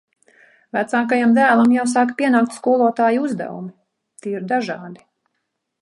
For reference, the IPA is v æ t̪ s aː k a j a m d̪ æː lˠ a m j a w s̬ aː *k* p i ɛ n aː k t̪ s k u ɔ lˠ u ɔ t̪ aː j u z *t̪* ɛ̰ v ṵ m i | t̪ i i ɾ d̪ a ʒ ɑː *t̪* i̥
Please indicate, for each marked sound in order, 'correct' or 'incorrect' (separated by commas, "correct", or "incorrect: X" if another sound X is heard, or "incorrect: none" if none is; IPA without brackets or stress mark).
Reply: correct, incorrect: d̪, incorrect: d̪